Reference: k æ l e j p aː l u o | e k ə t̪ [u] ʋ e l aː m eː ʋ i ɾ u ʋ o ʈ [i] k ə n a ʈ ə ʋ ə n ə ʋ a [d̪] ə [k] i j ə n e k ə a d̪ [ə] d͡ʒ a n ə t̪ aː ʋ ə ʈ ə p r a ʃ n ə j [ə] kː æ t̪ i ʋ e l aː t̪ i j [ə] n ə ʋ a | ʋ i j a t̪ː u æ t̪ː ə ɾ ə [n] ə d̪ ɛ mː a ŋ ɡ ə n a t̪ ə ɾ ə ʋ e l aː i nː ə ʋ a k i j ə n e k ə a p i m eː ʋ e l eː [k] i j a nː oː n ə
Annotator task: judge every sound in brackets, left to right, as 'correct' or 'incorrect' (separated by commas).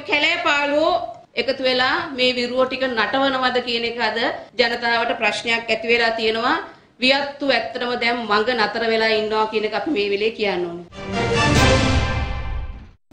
correct, correct, correct, correct, correct, incorrect, correct, incorrect, correct